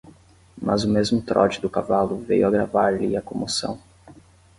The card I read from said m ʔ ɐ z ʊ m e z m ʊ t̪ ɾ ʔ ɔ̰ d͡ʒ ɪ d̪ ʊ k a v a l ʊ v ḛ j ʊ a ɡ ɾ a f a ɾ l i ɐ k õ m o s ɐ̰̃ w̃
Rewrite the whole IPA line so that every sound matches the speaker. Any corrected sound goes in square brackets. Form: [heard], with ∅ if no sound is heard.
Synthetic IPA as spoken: m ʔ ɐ z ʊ m e z m ʊ t̪ ɾ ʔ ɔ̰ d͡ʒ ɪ d̪ ʊ k a v a l ʊ v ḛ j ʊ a ɡ ɾ a [v] a ɾ l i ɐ k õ m o s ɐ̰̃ w̃